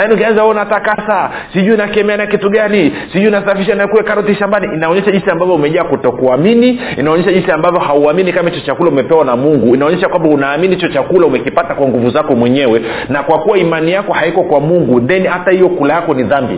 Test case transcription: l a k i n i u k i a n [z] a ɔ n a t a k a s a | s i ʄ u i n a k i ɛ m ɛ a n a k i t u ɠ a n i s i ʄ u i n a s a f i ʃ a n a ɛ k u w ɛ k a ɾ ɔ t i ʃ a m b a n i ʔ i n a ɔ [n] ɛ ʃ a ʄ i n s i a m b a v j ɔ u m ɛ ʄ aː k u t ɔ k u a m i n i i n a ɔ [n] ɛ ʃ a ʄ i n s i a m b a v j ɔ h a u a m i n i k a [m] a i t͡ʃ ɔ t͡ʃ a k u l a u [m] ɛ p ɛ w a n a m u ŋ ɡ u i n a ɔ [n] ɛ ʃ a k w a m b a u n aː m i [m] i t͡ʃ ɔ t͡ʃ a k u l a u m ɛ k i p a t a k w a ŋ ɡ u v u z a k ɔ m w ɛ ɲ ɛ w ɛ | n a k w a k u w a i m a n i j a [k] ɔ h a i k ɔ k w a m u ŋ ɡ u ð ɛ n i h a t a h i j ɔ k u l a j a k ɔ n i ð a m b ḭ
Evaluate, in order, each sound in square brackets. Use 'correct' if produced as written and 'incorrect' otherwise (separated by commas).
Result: correct, incorrect, incorrect, correct, correct, incorrect, incorrect, correct